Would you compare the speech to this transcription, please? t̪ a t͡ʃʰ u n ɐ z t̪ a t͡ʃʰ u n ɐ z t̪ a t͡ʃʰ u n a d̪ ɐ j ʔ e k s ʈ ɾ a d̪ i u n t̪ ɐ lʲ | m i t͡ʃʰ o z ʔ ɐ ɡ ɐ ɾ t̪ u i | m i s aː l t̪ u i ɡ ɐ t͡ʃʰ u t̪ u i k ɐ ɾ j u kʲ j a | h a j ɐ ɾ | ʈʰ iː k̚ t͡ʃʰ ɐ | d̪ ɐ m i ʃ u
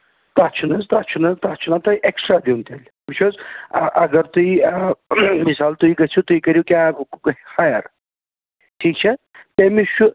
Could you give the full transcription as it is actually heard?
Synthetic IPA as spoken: t̪ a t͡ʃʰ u n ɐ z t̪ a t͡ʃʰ u n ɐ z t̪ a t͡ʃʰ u n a t̪ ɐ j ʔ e k s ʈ ɾ a d̪ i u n t̪ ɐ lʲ | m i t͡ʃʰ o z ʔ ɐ ɡ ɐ ɾ t̪ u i | m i s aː l t̪ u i ɡ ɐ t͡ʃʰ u t̪ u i k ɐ ɾ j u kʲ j a | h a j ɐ ɾ | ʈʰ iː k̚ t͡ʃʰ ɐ | t̪ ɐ m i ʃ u